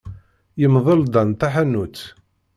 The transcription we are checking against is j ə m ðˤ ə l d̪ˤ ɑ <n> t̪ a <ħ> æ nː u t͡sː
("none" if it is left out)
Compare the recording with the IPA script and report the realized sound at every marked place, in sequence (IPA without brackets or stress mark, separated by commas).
n, ħ